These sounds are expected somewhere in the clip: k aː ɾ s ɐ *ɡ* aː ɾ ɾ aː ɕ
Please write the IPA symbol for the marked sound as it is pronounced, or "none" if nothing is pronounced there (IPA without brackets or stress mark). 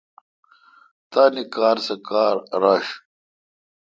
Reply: k